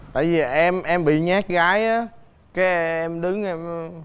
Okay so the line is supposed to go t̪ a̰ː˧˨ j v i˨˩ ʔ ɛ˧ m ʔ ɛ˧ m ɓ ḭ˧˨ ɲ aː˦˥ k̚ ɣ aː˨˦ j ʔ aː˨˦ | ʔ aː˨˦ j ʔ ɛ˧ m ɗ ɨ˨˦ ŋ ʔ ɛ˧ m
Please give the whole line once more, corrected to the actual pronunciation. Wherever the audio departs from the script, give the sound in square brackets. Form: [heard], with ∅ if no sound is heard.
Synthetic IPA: t̪ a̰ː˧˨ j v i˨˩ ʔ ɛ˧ m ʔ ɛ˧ m ɓ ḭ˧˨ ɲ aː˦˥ k̚ ɣ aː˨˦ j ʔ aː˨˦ | [k] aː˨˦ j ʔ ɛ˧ m ɗ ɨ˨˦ ŋ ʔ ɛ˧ m